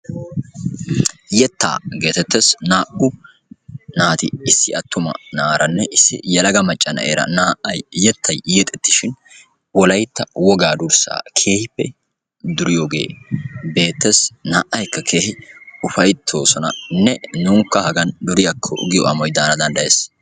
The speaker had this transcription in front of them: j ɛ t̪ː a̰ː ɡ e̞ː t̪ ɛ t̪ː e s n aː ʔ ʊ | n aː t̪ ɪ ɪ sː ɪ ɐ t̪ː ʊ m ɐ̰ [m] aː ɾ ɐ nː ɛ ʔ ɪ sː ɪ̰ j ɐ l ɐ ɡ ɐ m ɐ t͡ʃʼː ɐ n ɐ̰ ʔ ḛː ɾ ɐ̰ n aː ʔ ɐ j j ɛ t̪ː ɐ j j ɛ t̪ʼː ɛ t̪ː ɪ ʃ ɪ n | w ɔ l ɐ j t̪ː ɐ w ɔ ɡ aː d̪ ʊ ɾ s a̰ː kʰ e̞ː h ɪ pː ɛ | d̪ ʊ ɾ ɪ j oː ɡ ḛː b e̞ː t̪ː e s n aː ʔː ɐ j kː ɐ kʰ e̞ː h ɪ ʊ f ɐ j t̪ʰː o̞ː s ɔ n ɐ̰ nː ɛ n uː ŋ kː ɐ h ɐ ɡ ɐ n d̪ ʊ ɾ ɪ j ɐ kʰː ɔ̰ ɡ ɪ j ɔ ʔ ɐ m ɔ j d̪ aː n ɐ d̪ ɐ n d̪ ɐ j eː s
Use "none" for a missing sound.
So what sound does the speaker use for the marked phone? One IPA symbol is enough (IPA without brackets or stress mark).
n